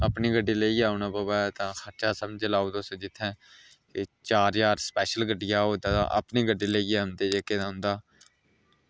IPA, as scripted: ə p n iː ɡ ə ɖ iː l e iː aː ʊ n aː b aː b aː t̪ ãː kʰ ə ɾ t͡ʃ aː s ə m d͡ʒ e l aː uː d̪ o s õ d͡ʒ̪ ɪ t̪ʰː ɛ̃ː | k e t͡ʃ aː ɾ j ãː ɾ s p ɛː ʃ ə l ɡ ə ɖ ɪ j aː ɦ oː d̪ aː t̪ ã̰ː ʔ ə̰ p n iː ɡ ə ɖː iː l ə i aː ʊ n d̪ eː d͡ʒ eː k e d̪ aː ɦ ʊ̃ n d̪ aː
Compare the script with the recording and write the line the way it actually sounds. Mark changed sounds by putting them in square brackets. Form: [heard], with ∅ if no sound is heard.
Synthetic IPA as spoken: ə p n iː ɡ ə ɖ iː l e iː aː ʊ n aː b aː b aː t̪ ãː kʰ ə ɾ t͡ʃ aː s ə m d͡ʒ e l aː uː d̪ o s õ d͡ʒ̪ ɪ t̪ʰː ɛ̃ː | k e t͡ʃ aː ɾ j [aː] ɾ s p ɛː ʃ ə l ɡ ə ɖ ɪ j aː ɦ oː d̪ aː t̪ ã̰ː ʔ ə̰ p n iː ɡ ə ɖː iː l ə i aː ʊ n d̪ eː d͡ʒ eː k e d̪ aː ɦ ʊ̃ n d̪ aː